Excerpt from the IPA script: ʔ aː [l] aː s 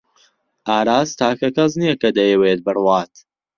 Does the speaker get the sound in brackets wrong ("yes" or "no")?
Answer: yes